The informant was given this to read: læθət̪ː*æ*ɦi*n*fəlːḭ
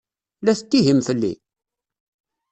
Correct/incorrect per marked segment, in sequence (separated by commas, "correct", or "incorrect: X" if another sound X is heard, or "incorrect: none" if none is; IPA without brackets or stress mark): incorrect: i, incorrect: m